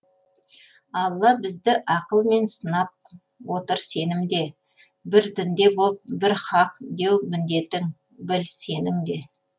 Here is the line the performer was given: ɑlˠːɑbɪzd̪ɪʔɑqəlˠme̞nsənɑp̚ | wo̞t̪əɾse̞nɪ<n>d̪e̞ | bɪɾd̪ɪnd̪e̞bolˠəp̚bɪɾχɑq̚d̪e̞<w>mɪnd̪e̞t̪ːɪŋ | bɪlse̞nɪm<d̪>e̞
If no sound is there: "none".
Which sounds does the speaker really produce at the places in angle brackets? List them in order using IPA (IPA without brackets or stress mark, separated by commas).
m, w, d̪